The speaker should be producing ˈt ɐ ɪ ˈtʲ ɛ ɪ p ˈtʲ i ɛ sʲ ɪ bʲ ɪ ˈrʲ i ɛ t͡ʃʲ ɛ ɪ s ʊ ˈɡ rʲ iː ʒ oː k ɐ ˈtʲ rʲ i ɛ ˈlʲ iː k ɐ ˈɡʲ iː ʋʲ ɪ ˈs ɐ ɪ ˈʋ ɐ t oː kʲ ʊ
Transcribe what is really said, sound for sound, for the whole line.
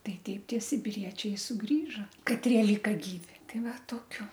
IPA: ˈt ɐ ɪ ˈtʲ ɛ ɪ p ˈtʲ i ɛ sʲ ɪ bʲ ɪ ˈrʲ i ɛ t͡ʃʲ ɛ ɪ s ʊ ˈɡ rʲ iː ʒ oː k ɐ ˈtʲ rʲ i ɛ ˈlʲ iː k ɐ ˈɡʲ iː ʋʲ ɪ ˈt ɐ ɪ ˈʋ ɐ t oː kʲ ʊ